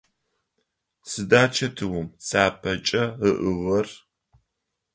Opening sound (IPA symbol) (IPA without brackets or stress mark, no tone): s